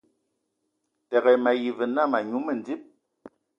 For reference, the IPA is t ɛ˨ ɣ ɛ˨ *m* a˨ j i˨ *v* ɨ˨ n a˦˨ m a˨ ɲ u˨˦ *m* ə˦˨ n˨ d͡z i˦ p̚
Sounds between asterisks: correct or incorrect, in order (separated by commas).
correct, correct, correct